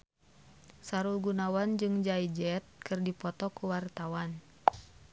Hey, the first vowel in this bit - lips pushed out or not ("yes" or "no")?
no